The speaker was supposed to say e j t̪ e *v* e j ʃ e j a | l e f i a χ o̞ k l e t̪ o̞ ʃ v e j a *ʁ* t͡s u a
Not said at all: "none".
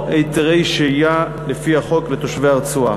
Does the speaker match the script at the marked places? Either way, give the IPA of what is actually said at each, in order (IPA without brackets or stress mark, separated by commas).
ʁ, ʁ